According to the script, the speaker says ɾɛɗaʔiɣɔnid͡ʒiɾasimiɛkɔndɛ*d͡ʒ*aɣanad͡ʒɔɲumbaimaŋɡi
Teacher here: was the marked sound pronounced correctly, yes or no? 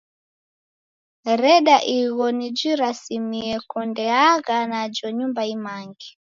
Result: no